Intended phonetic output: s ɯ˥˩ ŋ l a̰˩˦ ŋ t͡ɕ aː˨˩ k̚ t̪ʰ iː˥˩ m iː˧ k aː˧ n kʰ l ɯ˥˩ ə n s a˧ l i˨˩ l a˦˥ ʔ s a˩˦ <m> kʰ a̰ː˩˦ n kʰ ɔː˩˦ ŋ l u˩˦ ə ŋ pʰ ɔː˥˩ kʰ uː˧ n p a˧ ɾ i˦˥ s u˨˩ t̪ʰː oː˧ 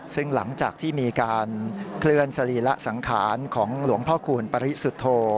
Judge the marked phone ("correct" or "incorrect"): incorrect